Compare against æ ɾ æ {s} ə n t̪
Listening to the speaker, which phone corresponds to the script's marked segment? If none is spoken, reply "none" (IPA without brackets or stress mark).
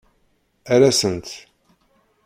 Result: s